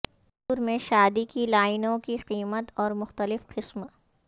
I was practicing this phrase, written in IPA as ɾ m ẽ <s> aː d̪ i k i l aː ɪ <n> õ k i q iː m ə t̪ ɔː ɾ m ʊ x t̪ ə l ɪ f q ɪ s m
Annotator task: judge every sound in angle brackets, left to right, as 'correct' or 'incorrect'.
incorrect: ʃ, correct

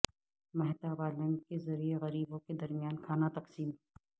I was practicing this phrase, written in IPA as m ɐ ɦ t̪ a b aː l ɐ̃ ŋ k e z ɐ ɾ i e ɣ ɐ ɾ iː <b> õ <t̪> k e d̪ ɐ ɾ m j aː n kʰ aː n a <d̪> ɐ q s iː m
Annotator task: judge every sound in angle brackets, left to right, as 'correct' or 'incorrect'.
correct, incorrect: none, incorrect: t̪

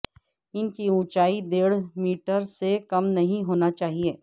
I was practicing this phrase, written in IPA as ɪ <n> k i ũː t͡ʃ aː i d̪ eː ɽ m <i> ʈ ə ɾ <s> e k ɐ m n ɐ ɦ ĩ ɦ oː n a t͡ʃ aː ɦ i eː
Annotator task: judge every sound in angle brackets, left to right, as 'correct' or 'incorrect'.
correct, incorrect: iː, correct

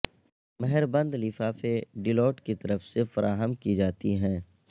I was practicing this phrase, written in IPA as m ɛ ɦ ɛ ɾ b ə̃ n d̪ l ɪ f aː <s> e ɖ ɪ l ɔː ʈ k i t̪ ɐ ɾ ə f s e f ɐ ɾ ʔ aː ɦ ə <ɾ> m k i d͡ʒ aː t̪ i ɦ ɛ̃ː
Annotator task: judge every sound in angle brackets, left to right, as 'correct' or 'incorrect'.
incorrect: f, incorrect: none

